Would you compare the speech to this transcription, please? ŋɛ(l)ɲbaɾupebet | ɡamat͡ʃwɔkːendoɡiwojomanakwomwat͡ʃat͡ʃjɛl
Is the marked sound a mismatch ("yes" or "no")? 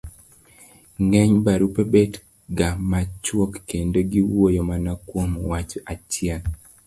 yes